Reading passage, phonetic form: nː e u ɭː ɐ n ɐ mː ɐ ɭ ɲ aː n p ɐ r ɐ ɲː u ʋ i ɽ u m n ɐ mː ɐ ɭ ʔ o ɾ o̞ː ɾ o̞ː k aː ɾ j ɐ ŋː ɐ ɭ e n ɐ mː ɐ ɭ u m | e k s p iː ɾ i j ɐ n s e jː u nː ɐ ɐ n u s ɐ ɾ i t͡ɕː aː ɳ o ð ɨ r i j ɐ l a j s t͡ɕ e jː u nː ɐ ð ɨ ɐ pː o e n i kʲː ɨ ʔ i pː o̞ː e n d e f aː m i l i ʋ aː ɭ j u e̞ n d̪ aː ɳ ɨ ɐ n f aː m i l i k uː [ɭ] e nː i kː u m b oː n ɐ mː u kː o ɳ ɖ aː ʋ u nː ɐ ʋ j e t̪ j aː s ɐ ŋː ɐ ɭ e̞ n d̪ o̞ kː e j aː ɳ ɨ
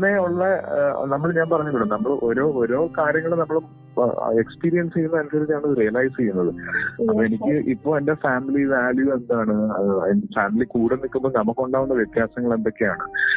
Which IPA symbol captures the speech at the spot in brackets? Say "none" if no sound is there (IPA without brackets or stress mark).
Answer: ɽ